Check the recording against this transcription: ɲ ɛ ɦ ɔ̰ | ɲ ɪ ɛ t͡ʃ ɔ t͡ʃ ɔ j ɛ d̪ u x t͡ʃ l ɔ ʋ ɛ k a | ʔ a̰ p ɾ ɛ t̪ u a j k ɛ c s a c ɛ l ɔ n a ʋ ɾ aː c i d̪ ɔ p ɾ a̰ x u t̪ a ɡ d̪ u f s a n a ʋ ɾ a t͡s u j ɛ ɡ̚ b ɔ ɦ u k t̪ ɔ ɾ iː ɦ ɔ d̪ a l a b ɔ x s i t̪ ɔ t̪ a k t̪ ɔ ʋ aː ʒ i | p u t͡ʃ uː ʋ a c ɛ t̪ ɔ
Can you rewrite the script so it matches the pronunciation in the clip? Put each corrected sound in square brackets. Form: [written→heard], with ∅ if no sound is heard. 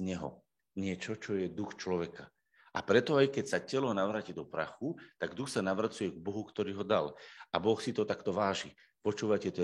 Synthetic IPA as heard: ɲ ɛ ɦ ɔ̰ | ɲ ɪ ɛ t͡ʃ ɔ t͡ʃ ɔ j ɛ d̪ u x t͡ʃ l ɔ ʋ ɛ k a | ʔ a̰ p ɾ ɛ t̪ [u→ɔ] a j k ɛ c s a c ɛ l ɔ n a ʋ ɾ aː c i d̪ ɔ p ɾ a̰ x u t̪ a ɡ d̪ u [f→x] s a n a ʋ ɾ a t͡s u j ɛ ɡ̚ b ɔ ɦ u k t̪ ɔ ɾ iː ɦ ɔ d̪ a l a b ɔ x s i t̪ ɔ t̪ a k t̪ ɔ ʋ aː ʒ i | p [u→ɔ] t͡ʃ uː ʋ a c ɛ t̪ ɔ